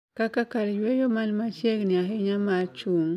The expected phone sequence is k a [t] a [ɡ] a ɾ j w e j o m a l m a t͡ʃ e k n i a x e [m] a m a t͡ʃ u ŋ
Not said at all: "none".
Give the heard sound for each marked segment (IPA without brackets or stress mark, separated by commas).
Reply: k, k, ɲ